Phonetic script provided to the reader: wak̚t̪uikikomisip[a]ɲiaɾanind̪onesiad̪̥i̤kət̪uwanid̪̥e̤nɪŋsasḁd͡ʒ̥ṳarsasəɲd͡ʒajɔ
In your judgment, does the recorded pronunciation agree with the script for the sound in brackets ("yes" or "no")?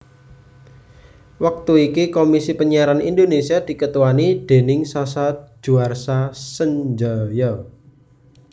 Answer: no